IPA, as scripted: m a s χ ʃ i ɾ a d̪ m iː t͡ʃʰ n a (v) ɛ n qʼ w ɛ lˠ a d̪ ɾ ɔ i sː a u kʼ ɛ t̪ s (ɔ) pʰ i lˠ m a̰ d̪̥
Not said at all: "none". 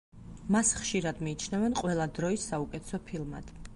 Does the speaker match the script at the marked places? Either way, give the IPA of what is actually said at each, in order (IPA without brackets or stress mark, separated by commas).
v, ɔ